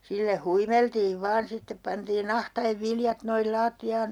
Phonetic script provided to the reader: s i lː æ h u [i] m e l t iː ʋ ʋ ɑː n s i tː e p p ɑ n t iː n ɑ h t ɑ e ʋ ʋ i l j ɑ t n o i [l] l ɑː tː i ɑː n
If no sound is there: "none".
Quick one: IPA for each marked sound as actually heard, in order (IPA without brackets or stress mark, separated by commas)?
i, l